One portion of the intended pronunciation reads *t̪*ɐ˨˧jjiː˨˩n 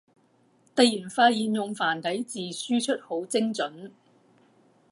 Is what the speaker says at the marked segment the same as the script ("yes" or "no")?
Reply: yes